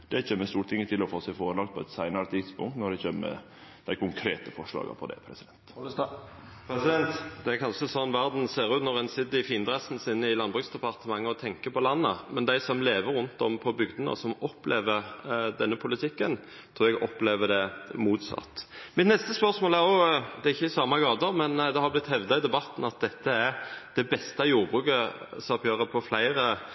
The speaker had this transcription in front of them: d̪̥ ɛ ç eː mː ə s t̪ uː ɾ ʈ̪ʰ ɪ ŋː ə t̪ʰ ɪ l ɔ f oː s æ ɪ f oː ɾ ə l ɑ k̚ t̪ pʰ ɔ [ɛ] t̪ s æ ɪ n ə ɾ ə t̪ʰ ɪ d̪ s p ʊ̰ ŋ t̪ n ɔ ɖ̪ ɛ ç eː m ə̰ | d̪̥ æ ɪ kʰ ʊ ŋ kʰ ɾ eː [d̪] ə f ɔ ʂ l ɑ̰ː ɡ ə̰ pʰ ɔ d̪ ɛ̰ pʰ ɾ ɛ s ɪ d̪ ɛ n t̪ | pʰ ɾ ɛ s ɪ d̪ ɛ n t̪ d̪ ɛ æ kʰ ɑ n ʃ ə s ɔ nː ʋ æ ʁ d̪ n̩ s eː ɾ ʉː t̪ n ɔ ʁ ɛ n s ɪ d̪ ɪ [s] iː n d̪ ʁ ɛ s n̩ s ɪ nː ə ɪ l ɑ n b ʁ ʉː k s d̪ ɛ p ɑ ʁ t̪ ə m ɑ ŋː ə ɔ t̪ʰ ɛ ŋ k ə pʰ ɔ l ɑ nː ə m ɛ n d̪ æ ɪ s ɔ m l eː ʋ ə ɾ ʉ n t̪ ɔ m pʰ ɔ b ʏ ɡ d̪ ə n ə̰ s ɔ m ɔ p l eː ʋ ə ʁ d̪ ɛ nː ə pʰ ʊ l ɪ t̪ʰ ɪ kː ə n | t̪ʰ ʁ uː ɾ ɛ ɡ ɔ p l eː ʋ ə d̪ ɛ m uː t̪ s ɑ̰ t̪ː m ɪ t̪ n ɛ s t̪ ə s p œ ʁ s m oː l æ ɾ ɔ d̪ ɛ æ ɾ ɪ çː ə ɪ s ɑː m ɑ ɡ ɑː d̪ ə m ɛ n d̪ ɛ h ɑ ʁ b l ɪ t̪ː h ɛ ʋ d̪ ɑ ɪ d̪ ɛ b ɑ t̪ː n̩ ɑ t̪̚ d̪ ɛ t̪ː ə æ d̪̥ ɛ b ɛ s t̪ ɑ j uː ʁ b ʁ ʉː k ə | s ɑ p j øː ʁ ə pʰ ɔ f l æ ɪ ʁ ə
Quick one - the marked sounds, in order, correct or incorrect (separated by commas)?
correct, incorrect, incorrect